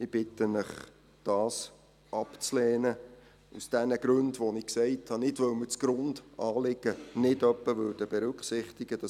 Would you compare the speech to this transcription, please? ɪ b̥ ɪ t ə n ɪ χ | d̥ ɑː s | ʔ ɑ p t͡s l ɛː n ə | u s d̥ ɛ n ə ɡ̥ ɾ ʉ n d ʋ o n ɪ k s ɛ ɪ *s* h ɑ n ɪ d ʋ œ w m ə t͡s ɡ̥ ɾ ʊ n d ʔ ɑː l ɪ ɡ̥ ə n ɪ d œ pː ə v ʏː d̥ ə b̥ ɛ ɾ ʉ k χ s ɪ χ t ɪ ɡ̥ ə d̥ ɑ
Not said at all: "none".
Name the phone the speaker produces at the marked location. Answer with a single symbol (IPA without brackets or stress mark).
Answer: t